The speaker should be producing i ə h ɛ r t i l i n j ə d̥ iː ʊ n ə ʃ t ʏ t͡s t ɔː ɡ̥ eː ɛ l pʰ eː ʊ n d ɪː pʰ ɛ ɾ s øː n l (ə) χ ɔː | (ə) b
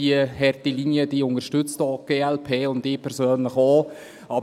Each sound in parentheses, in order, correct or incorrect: correct, incorrect

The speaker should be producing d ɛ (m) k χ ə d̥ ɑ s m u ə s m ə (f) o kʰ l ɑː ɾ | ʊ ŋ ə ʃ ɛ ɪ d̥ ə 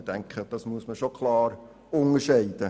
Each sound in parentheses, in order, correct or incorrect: incorrect, incorrect

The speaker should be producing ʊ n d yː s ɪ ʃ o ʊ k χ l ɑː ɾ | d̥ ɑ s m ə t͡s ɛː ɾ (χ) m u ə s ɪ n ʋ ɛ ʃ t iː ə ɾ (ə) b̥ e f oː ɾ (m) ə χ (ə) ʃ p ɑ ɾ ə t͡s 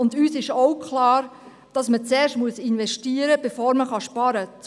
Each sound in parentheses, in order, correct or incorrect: incorrect, correct, correct, incorrect

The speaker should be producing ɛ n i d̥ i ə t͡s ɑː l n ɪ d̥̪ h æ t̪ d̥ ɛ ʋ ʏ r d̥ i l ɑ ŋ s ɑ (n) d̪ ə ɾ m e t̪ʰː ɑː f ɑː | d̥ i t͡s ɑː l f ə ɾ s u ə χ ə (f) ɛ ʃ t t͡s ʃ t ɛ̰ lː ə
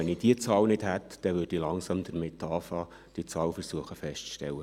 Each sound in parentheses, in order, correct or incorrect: incorrect, correct

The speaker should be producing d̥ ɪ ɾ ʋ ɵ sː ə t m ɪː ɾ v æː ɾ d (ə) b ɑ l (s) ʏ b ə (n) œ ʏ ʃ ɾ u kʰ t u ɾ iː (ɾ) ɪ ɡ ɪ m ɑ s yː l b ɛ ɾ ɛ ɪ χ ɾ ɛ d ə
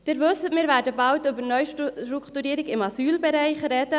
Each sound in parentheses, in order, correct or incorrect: correct, incorrect, correct, correct

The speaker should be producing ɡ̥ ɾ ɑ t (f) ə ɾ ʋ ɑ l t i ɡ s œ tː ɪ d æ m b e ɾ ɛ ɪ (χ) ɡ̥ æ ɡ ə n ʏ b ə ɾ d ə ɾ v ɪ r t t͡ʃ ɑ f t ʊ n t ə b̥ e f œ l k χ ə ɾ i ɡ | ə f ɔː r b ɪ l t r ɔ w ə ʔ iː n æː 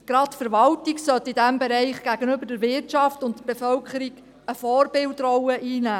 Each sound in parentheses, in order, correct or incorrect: correct, correct

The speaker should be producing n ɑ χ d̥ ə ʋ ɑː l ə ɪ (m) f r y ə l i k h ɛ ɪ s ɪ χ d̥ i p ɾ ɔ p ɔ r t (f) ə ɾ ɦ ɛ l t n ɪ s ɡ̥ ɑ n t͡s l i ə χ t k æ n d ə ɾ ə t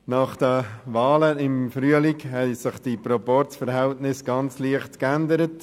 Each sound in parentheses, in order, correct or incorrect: correct, correct

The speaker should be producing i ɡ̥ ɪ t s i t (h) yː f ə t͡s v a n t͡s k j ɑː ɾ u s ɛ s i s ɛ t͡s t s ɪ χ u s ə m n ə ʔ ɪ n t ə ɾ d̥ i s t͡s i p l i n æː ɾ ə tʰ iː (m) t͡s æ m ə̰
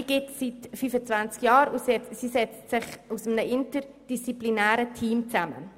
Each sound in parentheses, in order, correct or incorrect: incorrect, correct

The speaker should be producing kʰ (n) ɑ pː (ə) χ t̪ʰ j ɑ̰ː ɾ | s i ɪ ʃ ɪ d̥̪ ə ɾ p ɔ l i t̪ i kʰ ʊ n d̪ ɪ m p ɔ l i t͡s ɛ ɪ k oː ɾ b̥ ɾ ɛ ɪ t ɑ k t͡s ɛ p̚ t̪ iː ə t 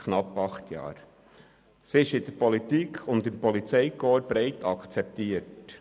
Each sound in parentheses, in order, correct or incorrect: correct, incorrect

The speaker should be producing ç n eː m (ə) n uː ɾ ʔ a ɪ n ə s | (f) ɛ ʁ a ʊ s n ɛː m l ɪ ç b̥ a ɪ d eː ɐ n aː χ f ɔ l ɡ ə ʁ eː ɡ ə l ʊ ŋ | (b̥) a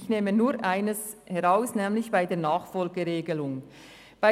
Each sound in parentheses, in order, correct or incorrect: correct, incorrect, correct

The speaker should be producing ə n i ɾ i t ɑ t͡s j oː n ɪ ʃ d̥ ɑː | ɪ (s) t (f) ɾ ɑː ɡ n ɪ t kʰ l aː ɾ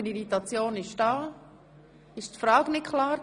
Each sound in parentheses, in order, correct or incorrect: incorrect, correct

